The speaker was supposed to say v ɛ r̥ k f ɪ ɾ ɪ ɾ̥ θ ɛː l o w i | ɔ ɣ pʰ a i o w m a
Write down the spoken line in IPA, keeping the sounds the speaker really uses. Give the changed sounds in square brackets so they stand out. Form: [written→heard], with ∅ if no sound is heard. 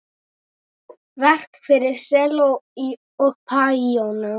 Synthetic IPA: v ɛ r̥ k f ɪ ɾ ɪ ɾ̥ [θ→s] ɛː l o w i | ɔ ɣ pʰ a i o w [m→n] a